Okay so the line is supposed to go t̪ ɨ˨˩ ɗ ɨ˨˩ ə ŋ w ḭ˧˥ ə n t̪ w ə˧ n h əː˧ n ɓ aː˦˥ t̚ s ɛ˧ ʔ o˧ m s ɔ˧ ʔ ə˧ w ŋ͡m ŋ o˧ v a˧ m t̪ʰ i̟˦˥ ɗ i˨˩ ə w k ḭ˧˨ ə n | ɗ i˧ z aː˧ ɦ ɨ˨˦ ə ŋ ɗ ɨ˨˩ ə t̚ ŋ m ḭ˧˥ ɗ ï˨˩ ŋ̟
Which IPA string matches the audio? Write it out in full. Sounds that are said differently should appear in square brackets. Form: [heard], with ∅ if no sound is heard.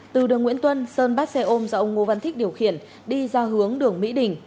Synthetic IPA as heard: t̪ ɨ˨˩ ɗ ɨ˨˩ ə ŋ w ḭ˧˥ ə n t̪ w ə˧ n [s] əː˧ n ɓ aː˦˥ t̚ s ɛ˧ ʔ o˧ m [z] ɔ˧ ʔ ə˧ w ŋ͡m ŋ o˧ v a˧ [n] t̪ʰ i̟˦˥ ɗ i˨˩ ə w [x] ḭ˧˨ ə n | ɗ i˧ z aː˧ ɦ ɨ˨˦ ə ŋ ɗ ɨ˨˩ ə [∅] ŋ m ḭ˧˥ ɗ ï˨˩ ŋ̟